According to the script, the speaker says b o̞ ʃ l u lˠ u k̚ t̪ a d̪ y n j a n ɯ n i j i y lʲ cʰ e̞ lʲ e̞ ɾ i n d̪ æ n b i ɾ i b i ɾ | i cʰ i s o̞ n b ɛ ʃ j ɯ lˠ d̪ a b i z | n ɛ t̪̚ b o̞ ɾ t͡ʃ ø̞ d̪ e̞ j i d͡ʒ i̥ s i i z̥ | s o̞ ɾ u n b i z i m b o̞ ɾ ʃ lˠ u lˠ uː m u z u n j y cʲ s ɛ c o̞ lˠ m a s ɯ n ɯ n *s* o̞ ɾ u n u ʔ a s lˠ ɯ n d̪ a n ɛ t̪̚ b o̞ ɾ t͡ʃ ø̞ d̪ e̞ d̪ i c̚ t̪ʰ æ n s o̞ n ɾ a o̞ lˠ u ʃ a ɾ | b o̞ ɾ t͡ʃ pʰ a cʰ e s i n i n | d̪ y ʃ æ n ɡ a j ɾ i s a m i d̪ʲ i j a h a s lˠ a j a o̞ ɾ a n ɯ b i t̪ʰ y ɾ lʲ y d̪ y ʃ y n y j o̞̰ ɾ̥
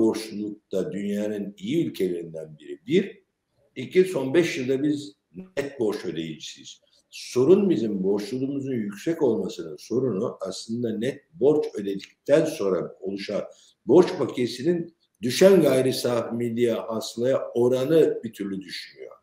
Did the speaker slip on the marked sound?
no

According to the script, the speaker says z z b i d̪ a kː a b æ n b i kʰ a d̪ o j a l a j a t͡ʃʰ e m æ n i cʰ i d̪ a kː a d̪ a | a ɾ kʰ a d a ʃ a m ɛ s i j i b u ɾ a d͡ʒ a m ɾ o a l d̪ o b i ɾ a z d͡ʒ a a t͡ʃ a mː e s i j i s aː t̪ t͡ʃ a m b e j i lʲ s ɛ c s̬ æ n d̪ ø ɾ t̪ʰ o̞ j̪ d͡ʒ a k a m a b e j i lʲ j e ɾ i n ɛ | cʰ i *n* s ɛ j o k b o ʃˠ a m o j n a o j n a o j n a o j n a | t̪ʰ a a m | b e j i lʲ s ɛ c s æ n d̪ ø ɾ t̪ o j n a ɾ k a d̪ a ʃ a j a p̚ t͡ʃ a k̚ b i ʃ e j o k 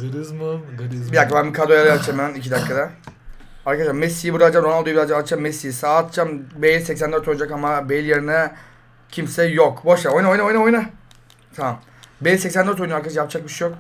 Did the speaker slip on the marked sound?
yes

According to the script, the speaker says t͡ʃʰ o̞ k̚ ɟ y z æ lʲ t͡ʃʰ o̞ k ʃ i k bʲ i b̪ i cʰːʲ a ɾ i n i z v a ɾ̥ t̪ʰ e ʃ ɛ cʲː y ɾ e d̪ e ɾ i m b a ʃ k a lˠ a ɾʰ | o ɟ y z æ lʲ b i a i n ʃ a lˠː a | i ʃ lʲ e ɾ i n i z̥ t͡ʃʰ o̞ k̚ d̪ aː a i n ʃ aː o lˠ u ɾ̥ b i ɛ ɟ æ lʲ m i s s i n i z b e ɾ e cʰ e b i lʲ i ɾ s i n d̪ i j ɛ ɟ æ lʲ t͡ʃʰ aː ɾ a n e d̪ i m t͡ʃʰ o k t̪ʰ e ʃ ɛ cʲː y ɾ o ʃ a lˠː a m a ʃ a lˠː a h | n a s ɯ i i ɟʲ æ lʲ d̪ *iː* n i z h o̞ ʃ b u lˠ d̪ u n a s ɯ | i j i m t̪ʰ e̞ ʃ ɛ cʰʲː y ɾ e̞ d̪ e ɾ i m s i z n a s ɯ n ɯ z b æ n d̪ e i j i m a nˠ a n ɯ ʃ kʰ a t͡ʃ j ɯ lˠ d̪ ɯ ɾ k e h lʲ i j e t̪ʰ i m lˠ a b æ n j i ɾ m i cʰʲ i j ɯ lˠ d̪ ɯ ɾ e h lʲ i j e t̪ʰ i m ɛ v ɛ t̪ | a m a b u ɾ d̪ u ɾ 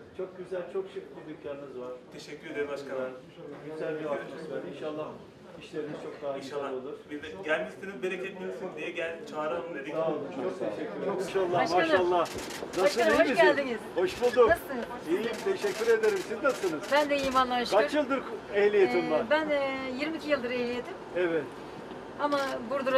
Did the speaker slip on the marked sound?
yes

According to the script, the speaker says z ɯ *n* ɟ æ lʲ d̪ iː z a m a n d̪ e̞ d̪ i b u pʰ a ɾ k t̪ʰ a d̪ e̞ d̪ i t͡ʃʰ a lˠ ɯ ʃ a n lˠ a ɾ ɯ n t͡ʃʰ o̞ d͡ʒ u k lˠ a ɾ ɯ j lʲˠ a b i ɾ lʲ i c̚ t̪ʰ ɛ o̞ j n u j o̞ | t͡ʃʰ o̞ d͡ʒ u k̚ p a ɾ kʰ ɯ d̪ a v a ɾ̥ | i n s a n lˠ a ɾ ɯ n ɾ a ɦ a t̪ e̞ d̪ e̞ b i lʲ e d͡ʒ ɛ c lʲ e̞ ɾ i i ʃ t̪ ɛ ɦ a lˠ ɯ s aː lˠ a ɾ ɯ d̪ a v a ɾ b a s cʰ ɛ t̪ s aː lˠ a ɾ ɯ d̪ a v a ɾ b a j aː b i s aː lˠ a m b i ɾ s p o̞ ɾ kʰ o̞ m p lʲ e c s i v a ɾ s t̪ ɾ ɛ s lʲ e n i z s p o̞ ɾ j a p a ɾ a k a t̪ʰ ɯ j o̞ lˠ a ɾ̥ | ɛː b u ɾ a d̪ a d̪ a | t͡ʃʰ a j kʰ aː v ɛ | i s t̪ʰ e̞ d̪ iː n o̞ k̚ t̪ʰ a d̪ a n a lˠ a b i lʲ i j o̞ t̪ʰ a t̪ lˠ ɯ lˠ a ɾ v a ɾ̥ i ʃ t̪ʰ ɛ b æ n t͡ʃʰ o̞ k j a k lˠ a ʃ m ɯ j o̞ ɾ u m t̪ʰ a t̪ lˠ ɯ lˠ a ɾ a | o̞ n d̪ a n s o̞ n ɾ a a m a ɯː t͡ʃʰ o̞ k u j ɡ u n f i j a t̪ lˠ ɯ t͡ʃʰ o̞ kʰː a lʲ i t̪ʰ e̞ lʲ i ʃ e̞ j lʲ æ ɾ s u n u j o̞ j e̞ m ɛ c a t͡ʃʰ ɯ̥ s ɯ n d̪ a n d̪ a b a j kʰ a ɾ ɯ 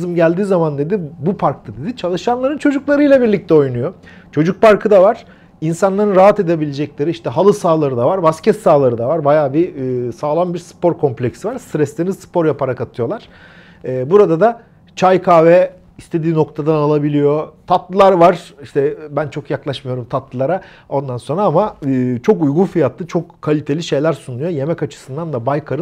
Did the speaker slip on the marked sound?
yes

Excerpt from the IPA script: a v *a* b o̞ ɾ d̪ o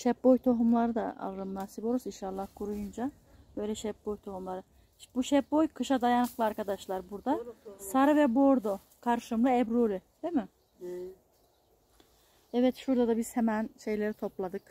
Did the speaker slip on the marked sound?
yes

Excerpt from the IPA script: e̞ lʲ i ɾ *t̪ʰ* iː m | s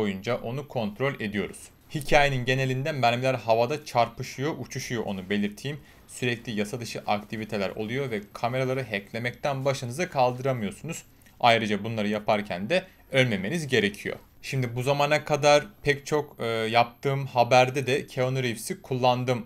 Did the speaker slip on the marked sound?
no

